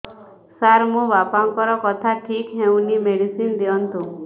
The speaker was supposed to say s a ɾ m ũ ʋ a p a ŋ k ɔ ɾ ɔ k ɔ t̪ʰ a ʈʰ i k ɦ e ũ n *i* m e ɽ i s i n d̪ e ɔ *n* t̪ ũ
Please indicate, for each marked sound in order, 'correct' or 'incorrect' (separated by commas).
correct, correct